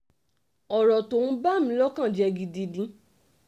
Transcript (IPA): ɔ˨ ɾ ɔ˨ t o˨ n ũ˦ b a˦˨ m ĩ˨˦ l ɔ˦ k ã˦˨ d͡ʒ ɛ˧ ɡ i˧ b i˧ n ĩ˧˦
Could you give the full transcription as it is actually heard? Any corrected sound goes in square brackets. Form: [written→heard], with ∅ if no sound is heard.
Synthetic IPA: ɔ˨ ɾ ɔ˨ t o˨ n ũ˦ b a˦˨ m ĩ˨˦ l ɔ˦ k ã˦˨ d͡ʒ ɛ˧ ɡ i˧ [b→d] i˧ [n→d] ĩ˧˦